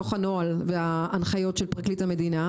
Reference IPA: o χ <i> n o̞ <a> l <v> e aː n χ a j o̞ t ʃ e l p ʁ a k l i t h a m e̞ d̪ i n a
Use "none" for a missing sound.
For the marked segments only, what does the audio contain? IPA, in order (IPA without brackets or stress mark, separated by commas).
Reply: a, a, v